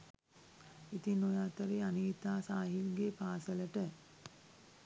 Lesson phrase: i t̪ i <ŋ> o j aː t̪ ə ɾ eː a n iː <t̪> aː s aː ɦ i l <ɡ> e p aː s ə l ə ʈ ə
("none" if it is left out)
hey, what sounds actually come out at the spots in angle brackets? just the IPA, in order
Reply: n, t̪, ɡ

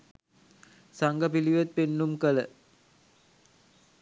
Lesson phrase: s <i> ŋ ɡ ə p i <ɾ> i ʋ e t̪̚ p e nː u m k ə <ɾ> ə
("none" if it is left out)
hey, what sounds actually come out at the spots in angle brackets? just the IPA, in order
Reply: a, l, l

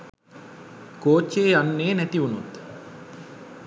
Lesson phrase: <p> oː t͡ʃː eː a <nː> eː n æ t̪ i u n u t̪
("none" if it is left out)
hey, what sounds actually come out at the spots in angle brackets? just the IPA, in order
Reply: k, nː

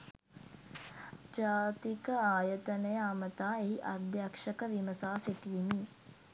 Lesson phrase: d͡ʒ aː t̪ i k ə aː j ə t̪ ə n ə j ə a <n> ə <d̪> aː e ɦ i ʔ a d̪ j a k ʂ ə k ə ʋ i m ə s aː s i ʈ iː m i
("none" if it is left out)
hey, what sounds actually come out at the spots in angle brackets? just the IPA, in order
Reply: m, t̪

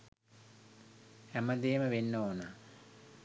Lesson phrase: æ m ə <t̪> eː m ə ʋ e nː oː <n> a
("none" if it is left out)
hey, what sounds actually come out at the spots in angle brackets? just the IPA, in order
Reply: d̪, n

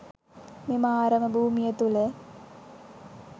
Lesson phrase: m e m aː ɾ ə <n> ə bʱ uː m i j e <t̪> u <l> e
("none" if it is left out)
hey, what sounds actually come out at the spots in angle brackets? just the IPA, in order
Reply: m, t̪, l

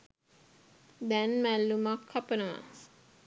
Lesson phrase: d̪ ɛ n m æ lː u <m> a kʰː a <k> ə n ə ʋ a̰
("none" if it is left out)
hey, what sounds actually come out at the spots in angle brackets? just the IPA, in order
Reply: m, p

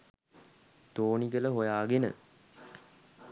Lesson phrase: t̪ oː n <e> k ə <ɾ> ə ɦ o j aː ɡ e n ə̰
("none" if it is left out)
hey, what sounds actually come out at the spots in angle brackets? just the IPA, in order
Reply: i, l

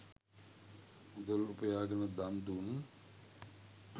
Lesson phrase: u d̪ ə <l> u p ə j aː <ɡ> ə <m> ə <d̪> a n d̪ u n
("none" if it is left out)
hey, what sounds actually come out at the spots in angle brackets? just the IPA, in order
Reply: l, ɡ, n, d̪

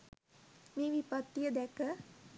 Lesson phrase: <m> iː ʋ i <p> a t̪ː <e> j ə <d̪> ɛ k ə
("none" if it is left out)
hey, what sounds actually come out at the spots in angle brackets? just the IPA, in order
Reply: m, p, i, d̪

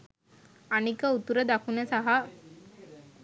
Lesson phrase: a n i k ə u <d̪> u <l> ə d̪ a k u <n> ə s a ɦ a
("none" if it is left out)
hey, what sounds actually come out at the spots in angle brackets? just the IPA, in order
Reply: t̪, ɾ, n

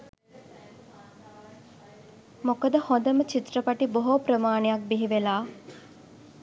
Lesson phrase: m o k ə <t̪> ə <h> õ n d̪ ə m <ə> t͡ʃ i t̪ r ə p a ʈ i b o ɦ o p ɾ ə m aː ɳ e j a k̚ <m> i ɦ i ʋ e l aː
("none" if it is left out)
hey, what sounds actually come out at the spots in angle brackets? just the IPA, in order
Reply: d̪, h, ə, b

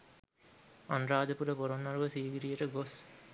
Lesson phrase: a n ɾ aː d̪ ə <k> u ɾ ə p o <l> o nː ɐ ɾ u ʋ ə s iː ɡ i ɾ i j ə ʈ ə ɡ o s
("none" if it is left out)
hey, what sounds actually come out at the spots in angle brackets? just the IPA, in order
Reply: p, ɾ

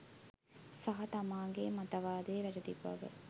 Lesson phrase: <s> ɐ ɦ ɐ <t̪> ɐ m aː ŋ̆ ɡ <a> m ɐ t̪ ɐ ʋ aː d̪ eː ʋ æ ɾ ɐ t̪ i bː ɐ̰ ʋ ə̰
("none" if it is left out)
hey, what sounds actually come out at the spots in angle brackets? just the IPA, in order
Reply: s, t̪, e

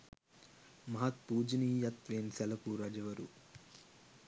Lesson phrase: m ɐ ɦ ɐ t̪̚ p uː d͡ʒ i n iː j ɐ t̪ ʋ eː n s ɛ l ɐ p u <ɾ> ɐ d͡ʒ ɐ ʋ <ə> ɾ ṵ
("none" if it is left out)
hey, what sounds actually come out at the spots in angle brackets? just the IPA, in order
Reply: ɾ, ɐ

